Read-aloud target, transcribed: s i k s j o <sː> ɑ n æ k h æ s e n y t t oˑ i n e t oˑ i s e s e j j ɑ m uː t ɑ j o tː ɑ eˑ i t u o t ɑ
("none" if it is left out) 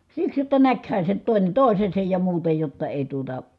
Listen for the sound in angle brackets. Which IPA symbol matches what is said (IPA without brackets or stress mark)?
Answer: tː